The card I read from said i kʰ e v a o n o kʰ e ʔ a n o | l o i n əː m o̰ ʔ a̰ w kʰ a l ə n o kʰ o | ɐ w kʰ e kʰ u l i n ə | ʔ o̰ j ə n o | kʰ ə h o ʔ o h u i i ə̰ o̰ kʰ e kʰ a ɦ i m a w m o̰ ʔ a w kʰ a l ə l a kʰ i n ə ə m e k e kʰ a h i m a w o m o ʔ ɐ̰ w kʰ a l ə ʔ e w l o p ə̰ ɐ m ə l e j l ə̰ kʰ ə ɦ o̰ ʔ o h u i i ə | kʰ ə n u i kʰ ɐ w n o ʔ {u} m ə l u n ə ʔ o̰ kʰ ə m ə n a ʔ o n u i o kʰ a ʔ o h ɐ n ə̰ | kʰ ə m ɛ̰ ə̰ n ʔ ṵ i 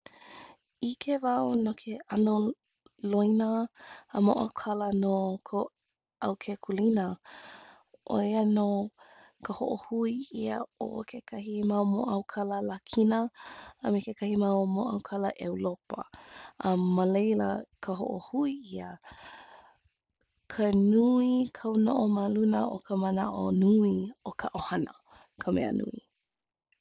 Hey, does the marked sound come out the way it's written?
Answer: no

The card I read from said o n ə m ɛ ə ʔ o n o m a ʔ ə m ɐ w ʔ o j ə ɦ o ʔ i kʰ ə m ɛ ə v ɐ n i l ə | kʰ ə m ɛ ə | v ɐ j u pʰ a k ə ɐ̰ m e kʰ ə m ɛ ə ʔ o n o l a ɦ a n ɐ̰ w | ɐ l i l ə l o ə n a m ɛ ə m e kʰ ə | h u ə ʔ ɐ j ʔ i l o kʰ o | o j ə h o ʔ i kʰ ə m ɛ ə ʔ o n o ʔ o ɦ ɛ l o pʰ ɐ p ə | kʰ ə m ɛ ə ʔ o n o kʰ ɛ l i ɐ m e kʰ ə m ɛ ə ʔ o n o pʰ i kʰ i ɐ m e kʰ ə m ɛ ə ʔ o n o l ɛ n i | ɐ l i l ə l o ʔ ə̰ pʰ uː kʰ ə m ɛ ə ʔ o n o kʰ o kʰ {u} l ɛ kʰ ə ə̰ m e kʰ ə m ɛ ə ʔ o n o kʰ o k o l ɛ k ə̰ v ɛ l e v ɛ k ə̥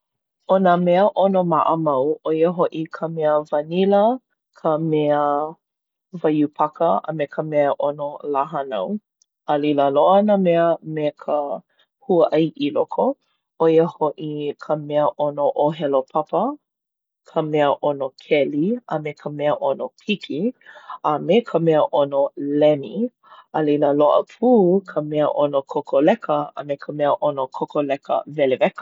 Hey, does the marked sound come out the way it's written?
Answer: no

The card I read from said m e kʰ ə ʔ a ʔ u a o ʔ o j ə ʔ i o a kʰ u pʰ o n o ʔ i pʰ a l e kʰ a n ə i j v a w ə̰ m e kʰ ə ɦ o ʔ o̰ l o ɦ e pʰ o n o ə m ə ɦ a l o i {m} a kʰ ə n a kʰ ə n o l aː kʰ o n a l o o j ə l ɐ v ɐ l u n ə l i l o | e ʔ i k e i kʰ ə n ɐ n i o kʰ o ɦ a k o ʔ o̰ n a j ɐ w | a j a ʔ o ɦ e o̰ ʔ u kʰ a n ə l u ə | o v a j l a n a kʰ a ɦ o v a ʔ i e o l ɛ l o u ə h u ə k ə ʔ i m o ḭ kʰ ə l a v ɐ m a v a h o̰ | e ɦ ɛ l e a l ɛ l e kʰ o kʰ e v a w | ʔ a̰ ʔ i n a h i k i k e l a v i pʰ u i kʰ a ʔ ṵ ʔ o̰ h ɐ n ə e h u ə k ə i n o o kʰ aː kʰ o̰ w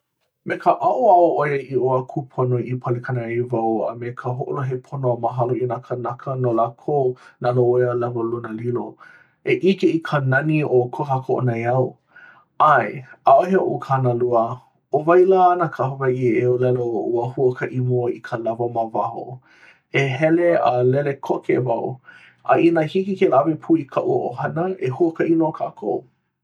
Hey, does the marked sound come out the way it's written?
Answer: no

